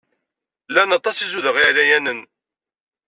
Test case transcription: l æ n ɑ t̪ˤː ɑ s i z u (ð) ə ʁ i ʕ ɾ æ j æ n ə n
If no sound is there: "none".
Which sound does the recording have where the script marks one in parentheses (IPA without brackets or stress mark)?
ð